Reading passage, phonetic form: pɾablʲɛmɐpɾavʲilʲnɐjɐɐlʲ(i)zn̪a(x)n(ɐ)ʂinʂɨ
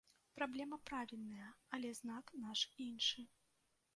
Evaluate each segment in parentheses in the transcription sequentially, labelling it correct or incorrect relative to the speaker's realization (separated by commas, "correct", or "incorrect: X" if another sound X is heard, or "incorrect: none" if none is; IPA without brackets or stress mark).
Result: incorrect: ɛ, incorrect: k, incorrect: a